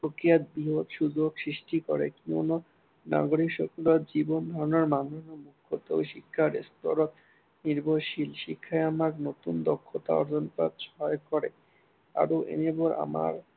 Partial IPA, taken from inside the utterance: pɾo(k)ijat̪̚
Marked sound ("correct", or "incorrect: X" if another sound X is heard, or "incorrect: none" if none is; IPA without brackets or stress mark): correct